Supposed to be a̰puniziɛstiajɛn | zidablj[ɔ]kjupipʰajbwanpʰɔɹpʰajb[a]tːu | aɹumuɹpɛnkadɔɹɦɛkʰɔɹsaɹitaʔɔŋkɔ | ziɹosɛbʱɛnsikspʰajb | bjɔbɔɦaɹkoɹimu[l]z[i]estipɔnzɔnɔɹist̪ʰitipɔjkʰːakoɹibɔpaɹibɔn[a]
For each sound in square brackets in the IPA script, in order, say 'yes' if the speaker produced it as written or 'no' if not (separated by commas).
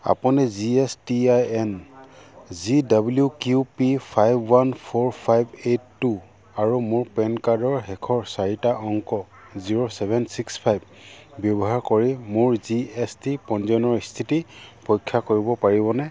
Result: no, no, no, yes, no